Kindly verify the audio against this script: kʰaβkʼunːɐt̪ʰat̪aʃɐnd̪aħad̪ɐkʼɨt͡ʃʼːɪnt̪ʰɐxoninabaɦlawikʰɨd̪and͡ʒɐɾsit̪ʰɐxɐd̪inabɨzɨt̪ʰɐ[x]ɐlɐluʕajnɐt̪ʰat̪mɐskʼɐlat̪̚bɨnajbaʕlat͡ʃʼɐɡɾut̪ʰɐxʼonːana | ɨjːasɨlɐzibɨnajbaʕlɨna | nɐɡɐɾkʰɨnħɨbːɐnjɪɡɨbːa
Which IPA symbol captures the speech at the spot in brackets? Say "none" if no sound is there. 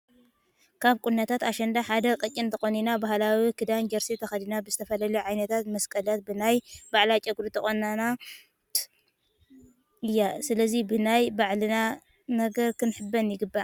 f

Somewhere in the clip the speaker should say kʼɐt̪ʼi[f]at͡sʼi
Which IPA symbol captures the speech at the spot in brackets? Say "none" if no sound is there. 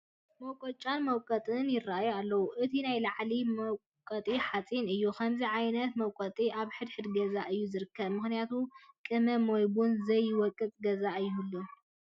ħ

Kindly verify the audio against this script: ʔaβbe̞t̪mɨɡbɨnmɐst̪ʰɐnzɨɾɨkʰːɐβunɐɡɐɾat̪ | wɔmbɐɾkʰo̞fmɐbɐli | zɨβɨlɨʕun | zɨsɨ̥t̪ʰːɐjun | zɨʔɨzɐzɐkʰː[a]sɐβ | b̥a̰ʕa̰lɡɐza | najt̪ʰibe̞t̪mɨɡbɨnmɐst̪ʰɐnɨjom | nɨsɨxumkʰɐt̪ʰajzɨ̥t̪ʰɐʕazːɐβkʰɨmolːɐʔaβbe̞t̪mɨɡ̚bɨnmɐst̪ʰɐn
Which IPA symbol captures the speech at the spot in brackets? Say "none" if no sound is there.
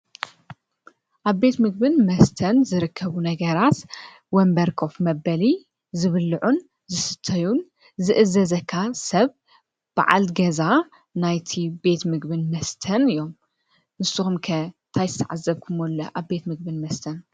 a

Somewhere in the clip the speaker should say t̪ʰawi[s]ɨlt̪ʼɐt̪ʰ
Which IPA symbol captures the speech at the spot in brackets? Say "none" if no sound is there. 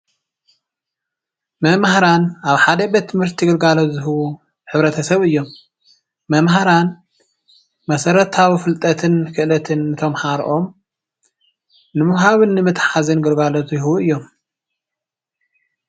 f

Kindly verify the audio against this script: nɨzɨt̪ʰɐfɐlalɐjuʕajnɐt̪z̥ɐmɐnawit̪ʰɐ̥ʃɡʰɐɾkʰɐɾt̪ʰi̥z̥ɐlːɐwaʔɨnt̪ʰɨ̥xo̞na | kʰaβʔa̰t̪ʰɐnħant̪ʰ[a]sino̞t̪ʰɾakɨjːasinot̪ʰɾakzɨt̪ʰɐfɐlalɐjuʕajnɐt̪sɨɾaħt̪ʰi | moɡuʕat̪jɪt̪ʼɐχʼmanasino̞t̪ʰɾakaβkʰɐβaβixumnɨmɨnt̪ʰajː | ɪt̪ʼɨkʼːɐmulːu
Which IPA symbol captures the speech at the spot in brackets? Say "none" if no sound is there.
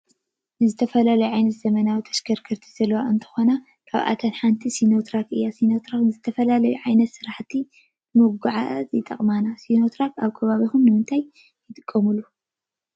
i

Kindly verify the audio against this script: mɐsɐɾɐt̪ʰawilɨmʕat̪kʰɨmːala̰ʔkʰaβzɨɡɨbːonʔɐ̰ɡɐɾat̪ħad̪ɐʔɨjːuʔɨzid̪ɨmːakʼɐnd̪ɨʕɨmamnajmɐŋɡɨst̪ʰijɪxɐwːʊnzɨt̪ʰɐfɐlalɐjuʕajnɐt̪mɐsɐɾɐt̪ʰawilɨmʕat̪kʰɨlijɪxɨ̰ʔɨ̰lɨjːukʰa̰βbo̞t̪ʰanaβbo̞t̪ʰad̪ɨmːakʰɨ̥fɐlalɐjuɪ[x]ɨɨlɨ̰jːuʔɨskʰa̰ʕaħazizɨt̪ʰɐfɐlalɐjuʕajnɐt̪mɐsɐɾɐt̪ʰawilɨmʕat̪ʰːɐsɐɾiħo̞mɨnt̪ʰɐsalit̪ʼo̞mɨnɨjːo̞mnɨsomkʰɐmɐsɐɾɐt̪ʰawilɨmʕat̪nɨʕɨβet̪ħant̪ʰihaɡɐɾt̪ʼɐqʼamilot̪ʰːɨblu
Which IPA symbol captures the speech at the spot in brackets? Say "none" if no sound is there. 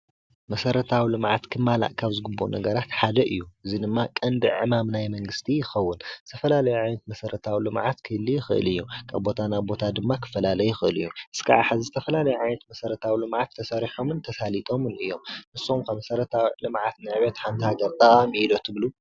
x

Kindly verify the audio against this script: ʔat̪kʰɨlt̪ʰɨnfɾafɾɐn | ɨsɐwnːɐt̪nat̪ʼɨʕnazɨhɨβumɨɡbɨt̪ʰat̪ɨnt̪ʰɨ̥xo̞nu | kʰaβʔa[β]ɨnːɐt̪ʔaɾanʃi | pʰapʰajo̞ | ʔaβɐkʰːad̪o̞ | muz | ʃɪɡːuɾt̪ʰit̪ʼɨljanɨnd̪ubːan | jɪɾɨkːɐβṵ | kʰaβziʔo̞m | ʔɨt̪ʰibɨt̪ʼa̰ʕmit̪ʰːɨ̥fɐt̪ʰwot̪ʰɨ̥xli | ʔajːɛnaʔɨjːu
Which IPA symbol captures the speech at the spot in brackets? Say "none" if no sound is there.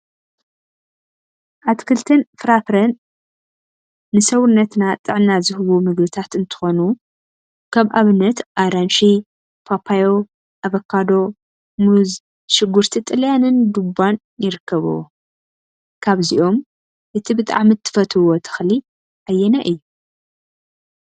β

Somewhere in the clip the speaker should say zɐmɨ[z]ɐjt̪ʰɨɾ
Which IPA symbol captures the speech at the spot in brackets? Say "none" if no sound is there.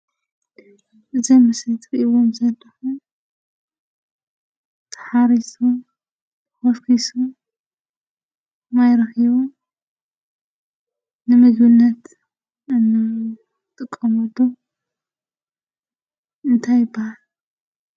s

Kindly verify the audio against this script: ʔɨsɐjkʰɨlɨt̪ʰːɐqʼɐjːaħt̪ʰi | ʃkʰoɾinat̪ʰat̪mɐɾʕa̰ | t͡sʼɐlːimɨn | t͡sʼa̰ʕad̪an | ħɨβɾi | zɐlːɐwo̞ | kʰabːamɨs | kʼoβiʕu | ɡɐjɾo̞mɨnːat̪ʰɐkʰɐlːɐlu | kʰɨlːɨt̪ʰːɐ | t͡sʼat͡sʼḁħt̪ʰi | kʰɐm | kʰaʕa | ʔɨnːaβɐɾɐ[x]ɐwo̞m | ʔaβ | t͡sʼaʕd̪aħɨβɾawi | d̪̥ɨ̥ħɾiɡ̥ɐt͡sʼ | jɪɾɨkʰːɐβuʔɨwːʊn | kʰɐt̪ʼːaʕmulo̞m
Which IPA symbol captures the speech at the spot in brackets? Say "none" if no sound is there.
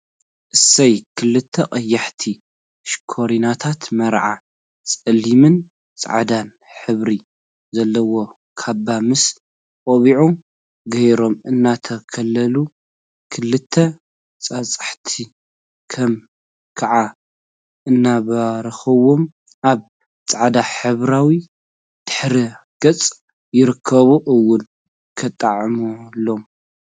x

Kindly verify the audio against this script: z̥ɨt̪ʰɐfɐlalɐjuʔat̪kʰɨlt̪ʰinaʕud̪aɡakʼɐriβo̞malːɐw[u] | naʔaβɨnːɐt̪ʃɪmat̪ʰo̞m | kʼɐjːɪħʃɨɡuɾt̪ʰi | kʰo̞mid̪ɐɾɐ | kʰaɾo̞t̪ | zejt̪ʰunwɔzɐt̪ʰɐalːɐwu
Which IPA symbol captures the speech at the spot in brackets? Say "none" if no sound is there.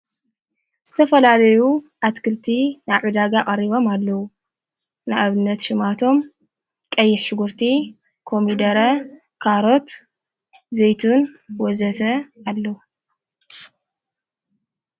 u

